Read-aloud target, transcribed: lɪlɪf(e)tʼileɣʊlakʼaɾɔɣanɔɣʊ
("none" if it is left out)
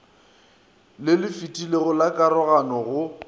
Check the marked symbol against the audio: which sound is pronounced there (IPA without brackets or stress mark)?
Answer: i